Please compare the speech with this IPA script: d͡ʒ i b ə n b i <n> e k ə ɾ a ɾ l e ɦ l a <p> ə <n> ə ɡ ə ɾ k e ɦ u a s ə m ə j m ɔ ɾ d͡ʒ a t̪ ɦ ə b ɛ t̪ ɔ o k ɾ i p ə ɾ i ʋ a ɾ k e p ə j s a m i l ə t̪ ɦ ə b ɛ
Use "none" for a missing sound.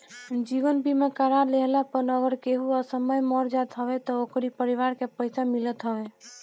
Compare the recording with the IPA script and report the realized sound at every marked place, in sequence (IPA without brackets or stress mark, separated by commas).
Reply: m, p, n